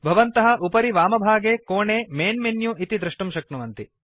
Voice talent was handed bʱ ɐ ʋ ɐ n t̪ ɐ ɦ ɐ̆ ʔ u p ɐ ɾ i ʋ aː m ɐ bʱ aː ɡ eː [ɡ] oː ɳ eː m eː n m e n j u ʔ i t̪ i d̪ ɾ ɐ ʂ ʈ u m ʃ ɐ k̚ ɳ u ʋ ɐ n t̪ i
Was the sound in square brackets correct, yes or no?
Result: no